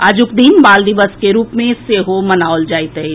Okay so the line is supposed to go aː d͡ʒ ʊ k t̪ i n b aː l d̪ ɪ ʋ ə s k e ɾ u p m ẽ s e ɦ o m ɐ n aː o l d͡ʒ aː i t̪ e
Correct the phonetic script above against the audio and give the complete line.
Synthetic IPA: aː d͡ʒ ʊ k d̪ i n b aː l d̪ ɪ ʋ ə s k e ɾ uː p m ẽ s e ɦ o m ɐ n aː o l d͡ʒ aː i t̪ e